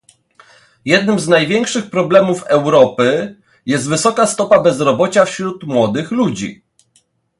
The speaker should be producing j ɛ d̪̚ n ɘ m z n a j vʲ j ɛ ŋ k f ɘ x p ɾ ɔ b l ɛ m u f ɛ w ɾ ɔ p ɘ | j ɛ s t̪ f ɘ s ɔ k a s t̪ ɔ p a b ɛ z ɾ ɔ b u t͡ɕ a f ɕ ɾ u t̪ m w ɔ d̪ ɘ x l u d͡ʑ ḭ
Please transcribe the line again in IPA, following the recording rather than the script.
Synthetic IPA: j ɛ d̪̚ n ɘ m z n a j vʲ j ɛ ŋ k ʂ ɘ x p ɾ ɔ b l ɛ m u f ɛ w ɾ ɔ p ɘ | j ɛ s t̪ v ɘ s ɔ k a s t̪ ɔ p a b ɛ z ɾ ɔ b ɔ t͡ɕ a f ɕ ɾ u t̪ m w ɔ d̪ ɘ x l u d͡ʑ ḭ